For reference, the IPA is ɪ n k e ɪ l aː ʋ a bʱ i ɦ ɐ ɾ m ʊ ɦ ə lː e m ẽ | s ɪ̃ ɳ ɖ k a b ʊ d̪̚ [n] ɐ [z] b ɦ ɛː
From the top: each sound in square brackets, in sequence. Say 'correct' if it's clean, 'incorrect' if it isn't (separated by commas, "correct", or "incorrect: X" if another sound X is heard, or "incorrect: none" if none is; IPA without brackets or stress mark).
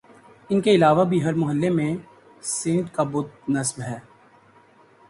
correct, incorrect: s